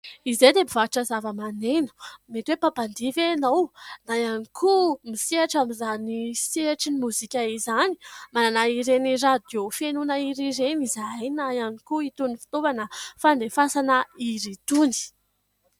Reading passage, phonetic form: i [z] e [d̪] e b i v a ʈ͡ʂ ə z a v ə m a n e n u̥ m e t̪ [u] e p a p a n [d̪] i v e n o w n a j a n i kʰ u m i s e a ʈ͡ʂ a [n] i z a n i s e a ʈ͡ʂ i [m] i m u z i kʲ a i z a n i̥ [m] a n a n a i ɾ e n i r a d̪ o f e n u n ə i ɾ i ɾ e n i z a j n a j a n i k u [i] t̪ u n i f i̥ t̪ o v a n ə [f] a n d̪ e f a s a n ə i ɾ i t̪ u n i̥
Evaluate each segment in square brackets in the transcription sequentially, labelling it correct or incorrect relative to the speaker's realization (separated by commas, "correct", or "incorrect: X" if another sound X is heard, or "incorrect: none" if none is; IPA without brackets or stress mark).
correct, correct, incorrect: w, correct, incorrect: m, incorrect: n, correct, correct, correct